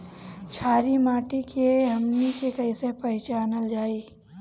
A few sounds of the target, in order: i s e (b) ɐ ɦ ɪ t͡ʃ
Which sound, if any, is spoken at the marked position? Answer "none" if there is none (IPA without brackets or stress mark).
p